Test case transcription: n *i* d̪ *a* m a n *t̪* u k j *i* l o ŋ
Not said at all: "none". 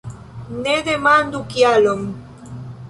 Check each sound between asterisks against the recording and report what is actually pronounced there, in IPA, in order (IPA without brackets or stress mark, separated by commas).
e, e, d̪, a